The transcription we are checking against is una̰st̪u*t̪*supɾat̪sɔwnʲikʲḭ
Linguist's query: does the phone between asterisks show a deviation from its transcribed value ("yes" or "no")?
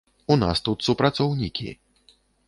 no